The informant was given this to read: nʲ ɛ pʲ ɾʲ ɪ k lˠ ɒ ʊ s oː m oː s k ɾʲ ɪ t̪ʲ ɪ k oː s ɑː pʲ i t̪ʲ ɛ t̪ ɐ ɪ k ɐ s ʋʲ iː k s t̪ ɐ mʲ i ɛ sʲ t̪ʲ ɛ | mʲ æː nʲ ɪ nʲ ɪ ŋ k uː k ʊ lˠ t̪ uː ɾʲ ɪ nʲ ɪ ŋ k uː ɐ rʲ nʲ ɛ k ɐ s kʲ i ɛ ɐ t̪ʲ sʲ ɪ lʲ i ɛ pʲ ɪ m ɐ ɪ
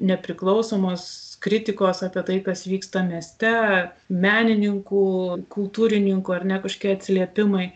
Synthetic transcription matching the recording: nʲ ɛ pʲ ɾʲ ɪ k lˠ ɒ ʊ s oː m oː s k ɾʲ ɪ t̪ʲ ɪ k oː s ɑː pʲ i ɛ t̪ ɐ ɪ k ɐ s ʋʲ iː k s t̪ ɐ mʲ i ɛ sʲ t̪ʲ ɛ | mʲ æː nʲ ɪ nʲ ɪ ŋ k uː k ʊ lˠ t̪ uː ɾʲ ɪ nʲ ɪ ŋ k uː ɐ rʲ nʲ ɛ k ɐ ʃ kʲ i ɛ ɐ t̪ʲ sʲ ɪ lʲ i ɛ pʲ ɪ m ɐ ɪ